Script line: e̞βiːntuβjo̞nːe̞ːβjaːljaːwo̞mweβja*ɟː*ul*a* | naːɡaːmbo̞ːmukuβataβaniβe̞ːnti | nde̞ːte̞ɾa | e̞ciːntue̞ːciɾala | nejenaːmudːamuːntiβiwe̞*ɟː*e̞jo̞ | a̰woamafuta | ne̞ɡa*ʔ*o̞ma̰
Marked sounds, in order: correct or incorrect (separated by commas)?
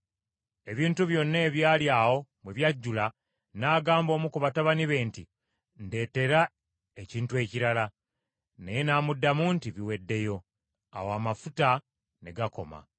correct, correct, incorrect, incorrect